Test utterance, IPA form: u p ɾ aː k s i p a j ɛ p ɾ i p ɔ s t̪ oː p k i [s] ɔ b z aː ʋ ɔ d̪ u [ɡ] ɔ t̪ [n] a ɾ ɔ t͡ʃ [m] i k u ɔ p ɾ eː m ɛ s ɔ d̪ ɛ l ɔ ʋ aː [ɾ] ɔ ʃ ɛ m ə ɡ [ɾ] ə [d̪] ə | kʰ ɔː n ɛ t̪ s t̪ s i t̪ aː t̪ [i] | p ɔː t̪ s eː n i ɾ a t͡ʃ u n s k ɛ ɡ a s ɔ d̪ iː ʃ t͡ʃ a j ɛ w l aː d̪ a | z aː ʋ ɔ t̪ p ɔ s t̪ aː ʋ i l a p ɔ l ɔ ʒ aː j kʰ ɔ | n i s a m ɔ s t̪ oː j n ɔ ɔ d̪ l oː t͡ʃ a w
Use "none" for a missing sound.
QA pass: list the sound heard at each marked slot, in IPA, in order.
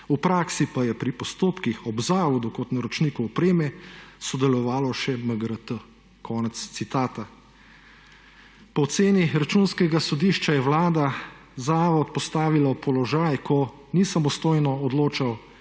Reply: x, k, n, n, l, ɾ, t̪, a

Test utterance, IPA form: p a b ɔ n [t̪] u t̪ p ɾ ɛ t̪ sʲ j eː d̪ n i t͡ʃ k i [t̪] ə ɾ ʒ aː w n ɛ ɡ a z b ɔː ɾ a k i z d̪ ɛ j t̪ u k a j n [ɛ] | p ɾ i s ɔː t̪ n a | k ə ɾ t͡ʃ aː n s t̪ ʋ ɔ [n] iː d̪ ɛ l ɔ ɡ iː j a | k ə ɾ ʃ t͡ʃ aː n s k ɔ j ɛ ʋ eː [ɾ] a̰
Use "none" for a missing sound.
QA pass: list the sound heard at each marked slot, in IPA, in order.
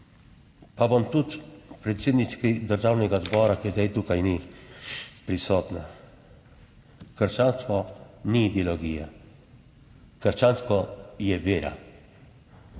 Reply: t̪, d̪, i, n, ɾ

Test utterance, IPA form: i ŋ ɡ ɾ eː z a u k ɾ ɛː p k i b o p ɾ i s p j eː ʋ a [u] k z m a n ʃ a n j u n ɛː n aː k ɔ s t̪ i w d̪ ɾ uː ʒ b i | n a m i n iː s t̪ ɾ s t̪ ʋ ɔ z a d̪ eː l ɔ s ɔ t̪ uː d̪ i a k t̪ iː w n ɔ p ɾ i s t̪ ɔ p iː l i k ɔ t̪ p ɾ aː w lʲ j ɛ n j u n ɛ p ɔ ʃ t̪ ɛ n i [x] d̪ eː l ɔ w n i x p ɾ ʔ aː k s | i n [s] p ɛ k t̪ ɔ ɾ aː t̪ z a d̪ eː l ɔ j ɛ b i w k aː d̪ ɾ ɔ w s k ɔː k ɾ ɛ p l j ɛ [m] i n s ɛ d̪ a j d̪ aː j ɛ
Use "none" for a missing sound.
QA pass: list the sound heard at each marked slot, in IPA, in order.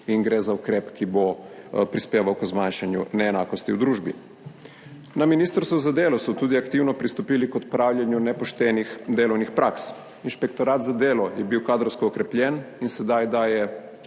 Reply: w, x, ʃ, n

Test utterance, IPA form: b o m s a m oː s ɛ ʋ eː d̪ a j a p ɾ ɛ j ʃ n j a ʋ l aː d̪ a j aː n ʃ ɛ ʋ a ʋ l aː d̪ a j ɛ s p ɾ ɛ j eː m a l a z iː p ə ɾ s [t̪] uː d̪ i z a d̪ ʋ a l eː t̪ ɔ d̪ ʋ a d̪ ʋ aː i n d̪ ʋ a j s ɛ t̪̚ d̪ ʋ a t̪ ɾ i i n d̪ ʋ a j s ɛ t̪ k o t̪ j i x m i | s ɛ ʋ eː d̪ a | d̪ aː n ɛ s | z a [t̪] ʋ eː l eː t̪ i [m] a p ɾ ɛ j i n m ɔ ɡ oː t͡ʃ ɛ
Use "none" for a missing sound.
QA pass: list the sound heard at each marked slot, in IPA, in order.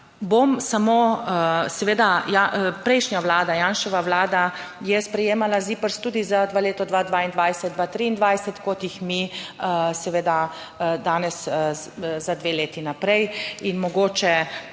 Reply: t̪, d̪, n

